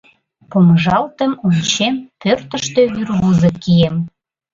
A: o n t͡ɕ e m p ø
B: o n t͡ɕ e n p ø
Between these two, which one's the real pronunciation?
A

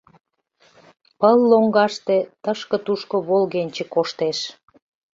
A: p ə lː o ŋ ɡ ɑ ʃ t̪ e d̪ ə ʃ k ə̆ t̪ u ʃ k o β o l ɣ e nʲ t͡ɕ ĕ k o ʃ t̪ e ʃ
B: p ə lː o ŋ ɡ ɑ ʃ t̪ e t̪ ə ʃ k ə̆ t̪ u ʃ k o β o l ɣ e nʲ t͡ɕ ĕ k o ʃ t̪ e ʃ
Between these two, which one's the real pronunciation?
B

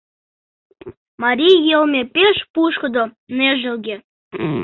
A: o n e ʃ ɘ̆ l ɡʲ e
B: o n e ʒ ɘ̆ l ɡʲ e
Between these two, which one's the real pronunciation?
B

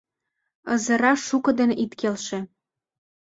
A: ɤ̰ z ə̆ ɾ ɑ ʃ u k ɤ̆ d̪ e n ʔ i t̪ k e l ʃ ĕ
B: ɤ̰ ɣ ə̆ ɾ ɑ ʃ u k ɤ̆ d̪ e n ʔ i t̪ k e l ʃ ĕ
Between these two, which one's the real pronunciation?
A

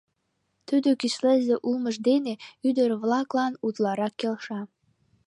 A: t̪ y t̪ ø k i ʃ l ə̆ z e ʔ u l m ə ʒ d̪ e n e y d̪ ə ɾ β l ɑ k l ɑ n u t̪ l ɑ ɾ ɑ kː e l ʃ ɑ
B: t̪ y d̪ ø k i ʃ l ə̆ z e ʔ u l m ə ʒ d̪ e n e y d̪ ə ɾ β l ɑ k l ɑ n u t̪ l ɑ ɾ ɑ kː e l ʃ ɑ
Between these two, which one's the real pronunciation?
B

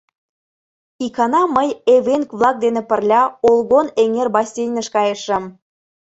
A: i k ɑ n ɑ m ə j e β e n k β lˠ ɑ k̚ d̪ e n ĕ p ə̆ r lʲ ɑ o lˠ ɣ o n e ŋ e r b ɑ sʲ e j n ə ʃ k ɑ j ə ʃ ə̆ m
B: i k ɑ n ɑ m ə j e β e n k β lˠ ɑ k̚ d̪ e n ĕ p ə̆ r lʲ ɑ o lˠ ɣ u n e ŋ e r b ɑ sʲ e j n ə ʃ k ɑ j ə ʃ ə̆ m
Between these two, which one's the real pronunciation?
A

